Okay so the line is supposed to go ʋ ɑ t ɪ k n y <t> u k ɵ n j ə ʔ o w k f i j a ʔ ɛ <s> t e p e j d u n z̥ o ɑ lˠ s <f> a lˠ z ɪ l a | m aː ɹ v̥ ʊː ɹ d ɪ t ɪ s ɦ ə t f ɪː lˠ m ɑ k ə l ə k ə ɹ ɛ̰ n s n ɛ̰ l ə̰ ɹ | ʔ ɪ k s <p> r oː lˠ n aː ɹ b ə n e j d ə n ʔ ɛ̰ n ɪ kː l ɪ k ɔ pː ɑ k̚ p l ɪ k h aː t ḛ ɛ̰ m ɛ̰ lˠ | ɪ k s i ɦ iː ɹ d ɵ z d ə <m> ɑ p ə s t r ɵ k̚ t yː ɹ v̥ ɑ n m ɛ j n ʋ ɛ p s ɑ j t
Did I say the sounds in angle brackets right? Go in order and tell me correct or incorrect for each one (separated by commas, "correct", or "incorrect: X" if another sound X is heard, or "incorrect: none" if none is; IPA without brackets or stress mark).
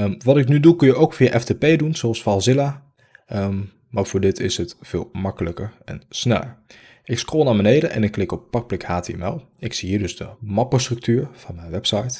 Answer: incorrect: d, incorrect: f, correct, incorrect: k, correct